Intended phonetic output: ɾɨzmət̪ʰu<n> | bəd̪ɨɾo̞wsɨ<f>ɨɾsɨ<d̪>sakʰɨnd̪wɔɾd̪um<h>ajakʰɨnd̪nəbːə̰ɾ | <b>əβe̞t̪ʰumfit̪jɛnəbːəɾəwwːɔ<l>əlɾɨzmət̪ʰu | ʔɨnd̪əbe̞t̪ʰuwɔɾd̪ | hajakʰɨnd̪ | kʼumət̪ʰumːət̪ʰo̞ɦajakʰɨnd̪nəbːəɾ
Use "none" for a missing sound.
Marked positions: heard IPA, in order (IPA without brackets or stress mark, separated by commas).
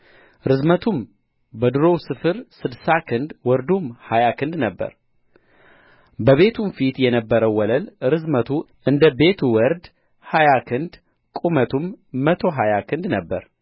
m, f, d̪, h, b, l